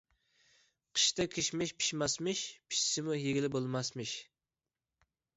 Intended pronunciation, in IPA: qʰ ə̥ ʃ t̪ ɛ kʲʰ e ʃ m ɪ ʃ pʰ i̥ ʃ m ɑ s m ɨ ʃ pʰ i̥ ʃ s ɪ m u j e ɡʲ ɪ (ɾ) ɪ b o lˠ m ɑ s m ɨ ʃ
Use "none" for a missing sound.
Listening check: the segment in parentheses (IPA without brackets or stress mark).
l